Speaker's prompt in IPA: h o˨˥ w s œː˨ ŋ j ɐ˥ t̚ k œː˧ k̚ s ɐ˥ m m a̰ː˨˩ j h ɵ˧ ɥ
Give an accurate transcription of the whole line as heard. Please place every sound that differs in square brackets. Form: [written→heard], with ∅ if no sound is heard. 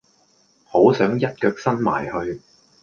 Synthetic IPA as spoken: h o˨˥ w s [œː˨→œː˨˥] ŋ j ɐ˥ t̚ k œː˧ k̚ s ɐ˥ [m→n] m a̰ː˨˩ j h ɵ˧ ɥ

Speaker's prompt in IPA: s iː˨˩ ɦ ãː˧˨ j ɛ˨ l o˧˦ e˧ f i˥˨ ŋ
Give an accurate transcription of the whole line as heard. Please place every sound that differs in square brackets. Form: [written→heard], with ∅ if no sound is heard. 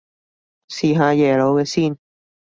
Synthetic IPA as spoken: s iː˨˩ ɦ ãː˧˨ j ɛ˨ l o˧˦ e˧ [f→s] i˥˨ [ŋ→n]

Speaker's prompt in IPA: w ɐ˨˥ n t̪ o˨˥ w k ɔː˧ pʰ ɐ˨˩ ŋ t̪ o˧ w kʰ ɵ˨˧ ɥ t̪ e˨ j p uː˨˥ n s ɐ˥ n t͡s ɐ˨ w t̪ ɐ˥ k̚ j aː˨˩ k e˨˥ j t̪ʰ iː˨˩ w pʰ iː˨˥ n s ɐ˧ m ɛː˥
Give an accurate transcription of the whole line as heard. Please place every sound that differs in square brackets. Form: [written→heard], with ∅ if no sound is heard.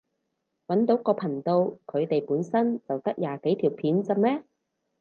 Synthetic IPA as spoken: w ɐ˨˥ n t̪ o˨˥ w k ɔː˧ pʰ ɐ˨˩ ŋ t̪ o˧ w kʰ ɵ˨˧ ɥ t̪ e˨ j p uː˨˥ n s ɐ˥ n t͡s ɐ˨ w t̪ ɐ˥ k̚ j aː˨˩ k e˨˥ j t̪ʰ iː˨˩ w pʰ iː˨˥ n [s→t͡s] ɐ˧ m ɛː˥

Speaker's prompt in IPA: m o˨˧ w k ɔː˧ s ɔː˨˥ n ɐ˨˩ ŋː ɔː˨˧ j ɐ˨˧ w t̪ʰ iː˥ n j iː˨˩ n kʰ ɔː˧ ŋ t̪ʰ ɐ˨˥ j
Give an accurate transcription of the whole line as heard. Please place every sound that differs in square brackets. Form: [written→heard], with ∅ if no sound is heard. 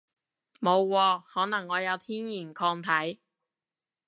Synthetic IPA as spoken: m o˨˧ w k ɔː˧ [s→h] ɔː˨˥ n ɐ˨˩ ŋː ɔː˨˧ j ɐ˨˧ w t̪ʰ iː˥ n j iː˨˩ n kʰ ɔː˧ ŋ t̪ʰ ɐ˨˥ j

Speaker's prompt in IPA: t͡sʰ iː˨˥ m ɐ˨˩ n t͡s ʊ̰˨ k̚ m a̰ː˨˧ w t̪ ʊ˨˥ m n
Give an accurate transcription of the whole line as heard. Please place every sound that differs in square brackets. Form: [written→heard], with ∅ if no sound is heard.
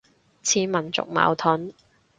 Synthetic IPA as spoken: t͡sʰ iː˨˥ m ɐ˨˩ n t͡s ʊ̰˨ k̚ m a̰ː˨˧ w [t̪→t̪ʰ] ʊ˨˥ [m→∅] n

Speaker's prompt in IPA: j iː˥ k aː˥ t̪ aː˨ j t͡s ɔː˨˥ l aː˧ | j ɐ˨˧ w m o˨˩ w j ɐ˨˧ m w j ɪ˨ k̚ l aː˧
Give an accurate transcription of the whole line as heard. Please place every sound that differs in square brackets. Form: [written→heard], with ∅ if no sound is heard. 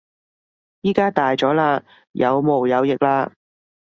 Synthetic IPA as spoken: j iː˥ k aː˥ t̪ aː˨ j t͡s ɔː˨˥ l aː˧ | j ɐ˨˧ w m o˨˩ w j ɐ˨˧ [m→∅] w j ɪ˨ k̚ l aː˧

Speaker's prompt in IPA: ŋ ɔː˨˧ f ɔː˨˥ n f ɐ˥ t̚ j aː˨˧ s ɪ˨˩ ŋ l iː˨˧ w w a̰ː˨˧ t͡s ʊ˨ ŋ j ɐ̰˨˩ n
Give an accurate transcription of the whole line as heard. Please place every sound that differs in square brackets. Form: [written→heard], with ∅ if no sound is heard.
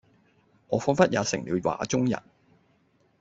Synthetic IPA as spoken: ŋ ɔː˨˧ f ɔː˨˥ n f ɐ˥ t̚ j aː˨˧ s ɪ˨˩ ŋ l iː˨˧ w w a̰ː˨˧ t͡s [ʊ˨→ʊ˥] ŋ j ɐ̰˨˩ n

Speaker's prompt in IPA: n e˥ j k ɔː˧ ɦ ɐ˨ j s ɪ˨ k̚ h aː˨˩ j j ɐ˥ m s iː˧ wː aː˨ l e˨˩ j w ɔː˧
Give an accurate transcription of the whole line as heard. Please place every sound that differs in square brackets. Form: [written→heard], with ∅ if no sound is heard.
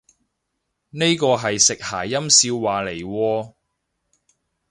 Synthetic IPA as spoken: n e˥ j k ɔː˧ ɦ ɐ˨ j s ɪ˨ k̚ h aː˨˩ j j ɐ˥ m s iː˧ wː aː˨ l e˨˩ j w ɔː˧

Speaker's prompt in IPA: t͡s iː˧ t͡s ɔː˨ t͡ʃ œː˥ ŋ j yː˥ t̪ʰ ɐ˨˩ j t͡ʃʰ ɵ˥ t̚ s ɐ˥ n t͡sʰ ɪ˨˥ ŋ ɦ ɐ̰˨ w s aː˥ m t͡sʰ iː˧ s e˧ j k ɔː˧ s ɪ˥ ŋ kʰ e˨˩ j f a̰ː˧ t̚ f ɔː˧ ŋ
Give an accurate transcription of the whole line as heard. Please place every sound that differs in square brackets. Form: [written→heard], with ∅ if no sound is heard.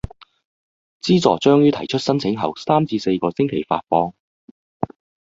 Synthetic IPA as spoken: t͡s [iː˧→iː˥] t͡s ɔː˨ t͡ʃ œː˥ ŋ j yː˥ t̪ʰ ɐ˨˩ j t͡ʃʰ ɵ˥ t̚ s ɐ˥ n t͡sʰ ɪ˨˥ ŋ ɦ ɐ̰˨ w s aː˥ m [t͡sʰ→t͡s] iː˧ s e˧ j k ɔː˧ s ɪ˥ ŋ kʰ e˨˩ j f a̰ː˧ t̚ f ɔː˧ ŋ

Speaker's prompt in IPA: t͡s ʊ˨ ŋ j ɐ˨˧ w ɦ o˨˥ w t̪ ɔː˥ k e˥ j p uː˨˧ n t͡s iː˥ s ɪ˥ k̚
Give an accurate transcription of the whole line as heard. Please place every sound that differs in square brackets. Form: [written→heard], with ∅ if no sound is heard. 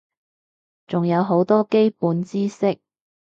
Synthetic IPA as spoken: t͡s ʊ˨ ŋ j ɐ˨˧ w ɦ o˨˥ w t̪ ɔː˥ k e˥ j p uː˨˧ n t͡s iː˥ s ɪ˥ k̚

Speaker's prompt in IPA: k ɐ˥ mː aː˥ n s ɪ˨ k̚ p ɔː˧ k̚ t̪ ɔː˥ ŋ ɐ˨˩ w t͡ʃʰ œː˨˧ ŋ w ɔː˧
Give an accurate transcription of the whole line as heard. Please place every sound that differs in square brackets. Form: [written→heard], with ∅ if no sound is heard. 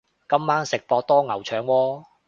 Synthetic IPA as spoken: k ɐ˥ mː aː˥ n s ɪ˨ k̚ p ɔː˧ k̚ t̪ ɔː˥ ŋ ɐ˨˩ w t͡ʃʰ œː˨˧ ŋ w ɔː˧

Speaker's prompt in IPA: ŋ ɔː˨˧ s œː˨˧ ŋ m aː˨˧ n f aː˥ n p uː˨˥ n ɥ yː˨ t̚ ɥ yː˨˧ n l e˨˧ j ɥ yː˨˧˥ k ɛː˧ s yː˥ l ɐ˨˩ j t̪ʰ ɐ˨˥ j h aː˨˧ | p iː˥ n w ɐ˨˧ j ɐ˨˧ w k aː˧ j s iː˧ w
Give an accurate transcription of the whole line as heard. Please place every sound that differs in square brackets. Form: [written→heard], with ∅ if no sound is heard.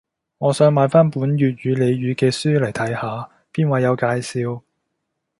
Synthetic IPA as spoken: ŋ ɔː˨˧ s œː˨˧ ŋ m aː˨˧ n f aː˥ n p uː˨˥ n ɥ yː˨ t̚ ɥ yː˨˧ [n→∅] l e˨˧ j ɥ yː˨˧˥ k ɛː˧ s yː˥ l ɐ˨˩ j t̪ʰ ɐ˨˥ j h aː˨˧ | p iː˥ n w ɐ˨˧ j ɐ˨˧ w k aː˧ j s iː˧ w

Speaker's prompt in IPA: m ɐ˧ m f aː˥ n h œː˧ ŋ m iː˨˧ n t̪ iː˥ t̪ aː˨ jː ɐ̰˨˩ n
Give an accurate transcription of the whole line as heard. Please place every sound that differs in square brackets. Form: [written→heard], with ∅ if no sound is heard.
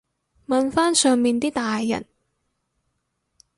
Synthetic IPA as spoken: m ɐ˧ [m→n] f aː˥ n [h→s] œː˧ ŋ m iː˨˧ n t̪ iː˥ t̪ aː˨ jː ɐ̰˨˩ n

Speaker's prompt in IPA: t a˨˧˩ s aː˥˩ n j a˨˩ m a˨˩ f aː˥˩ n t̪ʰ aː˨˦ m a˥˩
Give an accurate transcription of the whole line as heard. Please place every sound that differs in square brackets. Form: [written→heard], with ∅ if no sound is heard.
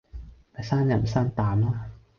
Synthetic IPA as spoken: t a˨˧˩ s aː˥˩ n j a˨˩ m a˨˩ [f→s] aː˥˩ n [t̪ʰ→t̪] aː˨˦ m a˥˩

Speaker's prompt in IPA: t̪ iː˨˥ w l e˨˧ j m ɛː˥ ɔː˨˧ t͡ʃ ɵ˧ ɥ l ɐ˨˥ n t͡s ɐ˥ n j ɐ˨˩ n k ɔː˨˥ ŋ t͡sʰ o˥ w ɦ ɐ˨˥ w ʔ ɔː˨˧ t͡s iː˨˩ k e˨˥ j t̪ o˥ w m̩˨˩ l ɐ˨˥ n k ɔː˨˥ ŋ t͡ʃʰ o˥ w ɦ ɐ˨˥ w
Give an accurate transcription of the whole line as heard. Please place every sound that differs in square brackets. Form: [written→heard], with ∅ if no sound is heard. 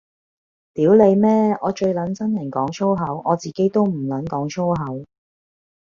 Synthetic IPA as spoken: t̪ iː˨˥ w l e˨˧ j m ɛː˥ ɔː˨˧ t͡ʃ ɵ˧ ɥ l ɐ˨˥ n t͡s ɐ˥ n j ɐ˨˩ n k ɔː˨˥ ŋ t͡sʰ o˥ w ɦ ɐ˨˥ w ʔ ɔː˨˧ t͡s iː˨˩ k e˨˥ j t̪ o˥ w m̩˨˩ l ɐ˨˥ n k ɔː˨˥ ŋ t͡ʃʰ o˥ w ɦ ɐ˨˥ w

